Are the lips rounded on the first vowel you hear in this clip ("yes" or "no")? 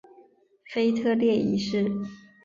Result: no